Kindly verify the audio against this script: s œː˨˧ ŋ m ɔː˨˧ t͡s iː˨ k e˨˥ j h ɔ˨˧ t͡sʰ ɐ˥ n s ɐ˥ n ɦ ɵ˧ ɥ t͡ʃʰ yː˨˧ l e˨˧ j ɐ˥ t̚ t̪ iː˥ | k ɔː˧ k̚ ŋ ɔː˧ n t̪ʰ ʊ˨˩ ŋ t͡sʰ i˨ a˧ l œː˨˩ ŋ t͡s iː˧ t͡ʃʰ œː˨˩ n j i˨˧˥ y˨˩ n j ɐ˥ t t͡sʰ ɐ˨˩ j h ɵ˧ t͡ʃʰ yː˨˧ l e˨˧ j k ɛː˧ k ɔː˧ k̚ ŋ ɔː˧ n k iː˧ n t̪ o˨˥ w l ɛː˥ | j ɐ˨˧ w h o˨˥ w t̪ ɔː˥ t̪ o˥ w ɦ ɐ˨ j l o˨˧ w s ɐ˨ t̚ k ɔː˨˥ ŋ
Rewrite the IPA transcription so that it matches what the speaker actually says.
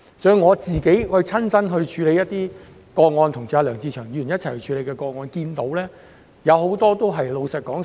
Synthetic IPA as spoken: s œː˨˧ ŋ ŋ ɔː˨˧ t͡s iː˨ k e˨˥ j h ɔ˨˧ t͡sʰ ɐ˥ n s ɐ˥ n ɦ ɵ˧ ɥ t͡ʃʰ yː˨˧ l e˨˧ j ɐ˥ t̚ t̪ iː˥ | k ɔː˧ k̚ ŋ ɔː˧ n t̪ʰ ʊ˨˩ ŋ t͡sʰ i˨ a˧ l œː˨˩ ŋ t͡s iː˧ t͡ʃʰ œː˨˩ ŋ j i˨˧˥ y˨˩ n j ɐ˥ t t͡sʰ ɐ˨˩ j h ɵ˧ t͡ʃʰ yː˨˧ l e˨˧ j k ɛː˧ k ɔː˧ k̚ ŋ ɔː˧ n k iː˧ n t̪ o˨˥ w l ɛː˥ | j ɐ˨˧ w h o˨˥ w t̪ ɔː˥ t̪ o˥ w ɦ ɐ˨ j l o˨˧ w s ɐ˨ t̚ k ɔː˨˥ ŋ

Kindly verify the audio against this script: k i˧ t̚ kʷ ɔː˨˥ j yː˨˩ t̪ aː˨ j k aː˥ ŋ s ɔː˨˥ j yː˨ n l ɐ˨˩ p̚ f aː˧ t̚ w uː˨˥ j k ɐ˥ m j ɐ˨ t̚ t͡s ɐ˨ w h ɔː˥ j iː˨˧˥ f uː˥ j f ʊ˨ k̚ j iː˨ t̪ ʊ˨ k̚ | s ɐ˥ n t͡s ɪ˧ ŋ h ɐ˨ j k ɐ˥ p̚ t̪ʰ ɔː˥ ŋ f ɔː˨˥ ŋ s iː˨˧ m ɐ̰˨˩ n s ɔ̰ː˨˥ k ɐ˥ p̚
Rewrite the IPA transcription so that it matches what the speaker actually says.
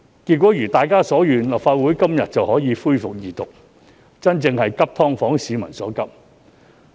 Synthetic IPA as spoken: k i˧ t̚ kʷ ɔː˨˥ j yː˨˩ t̪ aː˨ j k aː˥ s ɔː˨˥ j yː˨ n l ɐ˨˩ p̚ f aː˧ t̚ w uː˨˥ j k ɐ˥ m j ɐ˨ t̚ t͡s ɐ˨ w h ɔː˨˥ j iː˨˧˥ f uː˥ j f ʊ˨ k̚ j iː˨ t̪ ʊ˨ k̚ | t͡s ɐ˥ n t͡s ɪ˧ ŋ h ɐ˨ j k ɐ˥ p̚ t̪ʰ ɔː˥ ŋ f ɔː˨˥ ŋ s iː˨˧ m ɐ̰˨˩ n s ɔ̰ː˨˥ k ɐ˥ p̚

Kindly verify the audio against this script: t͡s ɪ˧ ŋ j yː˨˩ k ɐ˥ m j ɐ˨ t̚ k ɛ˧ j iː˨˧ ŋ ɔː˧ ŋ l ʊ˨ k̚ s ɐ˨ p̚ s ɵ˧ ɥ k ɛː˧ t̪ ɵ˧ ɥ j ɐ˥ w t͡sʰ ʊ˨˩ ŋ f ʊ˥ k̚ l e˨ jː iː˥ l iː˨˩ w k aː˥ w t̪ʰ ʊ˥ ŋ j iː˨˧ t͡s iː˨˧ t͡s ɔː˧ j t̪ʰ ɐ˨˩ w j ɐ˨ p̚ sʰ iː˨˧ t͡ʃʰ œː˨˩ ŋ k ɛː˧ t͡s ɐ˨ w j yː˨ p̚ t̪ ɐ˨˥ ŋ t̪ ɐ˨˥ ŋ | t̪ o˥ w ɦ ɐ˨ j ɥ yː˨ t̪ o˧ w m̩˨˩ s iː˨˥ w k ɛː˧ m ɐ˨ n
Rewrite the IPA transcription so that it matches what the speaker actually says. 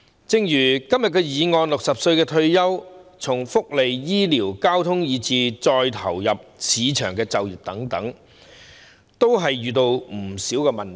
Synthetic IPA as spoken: t͡s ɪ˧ ŋ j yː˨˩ k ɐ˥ m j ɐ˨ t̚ k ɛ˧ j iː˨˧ ŋ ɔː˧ n l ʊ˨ k̚ s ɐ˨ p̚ s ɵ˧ ɥ k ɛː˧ t̪ʰ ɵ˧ ɥ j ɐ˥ w t͡sʰ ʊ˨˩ ŋ f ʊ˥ k̚ l e˨ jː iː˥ l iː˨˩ w k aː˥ w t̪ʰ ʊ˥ ŋ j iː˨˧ t͡s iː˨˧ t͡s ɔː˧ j t̪ʰ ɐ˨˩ w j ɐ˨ p̚ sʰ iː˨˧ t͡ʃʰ œː˨˩ ŋ k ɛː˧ t͡s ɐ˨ w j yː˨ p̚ t̪ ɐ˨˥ ŋ t̪ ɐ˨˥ ŋ | t̪ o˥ w ɦ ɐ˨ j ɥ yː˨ t̪ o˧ w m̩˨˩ s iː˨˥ w k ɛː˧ m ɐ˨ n

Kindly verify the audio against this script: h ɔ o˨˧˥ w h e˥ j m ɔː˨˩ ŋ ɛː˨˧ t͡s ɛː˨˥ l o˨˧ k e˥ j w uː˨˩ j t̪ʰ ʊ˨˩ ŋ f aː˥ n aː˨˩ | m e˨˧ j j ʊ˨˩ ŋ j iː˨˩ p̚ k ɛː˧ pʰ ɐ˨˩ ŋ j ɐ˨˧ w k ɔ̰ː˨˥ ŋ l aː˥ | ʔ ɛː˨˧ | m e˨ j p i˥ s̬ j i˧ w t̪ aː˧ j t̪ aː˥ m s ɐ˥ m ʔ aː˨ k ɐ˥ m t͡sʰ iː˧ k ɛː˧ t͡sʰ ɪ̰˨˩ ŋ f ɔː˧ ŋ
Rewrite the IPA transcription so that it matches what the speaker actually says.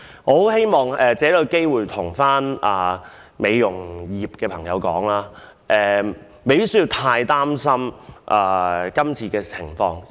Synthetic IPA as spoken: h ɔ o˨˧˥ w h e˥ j m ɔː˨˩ ŋ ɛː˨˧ t͡s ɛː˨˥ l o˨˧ k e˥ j w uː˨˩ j t̪ʰ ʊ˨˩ ŋ f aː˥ n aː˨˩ | m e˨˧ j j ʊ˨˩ ŋ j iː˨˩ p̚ k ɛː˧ pʰ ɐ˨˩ ŋ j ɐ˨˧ w k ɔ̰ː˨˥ ŋ l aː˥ | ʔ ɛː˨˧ | m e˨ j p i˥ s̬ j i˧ w t̪ʰ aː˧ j t̪ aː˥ m s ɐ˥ m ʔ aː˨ k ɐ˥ m t͡sʰ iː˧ k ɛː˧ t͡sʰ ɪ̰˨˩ ŋ f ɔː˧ ŋ

